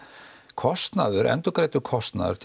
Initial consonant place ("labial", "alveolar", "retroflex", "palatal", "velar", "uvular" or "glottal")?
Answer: velar